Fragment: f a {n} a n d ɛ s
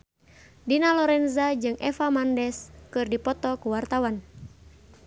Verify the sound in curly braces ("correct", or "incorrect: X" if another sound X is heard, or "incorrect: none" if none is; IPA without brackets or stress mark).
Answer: incorrect: m